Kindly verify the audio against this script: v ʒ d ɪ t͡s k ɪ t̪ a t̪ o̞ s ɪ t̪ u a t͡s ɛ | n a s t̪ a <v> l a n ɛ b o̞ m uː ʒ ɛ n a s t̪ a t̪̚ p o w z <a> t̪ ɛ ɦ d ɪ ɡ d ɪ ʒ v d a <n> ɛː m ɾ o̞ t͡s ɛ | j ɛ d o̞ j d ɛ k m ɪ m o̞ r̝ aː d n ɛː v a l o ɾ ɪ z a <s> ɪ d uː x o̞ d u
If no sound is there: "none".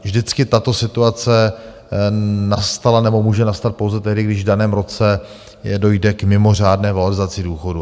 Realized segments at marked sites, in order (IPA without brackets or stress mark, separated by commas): none, ɛ, n, t͡s